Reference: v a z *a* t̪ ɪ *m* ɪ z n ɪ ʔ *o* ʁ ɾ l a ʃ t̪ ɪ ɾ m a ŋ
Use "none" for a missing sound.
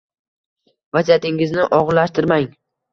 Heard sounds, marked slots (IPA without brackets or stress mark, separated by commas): a, ŋ, ɒ